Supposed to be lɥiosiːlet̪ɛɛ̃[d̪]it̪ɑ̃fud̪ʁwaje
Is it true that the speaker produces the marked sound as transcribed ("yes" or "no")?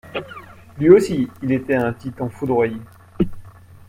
no